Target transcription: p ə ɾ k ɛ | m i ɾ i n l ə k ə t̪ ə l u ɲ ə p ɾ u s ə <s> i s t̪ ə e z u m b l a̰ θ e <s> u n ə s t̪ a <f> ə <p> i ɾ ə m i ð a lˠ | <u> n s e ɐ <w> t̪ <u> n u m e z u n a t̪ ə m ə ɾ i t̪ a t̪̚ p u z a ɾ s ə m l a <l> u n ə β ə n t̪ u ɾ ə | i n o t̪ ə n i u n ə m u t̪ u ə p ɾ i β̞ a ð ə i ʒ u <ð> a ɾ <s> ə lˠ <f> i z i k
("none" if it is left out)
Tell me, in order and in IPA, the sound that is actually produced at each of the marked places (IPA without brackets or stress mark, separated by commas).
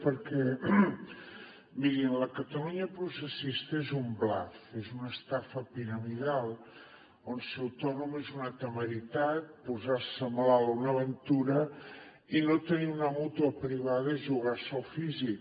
s, z, f, p, o, w, ɔ, l, ɣ, s, f